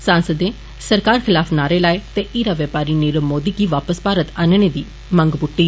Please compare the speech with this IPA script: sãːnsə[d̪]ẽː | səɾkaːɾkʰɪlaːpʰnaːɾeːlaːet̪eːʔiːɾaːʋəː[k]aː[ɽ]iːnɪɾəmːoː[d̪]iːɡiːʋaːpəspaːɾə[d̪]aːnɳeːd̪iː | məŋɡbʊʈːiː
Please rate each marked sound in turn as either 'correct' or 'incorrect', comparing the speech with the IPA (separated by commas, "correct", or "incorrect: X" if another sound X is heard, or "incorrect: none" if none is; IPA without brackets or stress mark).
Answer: correct, incorrect: p, incorrect: ɾ, correct, incorrect: t̪